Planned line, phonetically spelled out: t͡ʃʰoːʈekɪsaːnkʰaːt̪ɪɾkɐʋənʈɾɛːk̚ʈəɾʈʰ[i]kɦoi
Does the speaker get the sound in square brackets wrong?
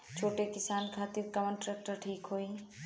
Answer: yes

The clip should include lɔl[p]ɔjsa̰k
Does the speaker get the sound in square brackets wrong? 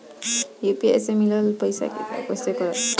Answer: no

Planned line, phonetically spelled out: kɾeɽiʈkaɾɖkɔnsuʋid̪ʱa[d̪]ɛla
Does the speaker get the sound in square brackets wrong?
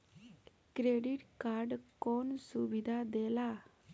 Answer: no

